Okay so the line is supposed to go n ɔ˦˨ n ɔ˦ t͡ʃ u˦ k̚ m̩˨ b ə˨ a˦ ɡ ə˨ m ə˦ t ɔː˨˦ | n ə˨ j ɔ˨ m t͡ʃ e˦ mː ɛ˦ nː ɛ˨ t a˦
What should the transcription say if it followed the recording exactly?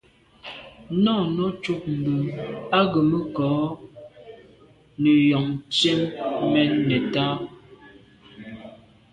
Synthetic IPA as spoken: n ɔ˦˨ n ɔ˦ t͡ʃ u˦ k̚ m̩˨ b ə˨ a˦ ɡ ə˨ m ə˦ k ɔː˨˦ | n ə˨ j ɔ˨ ŋ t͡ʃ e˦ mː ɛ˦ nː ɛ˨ t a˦